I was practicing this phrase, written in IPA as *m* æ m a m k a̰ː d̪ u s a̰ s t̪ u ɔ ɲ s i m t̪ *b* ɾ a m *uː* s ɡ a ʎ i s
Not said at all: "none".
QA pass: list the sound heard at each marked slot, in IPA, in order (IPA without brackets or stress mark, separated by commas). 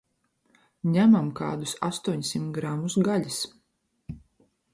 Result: ɲ, ɡ, u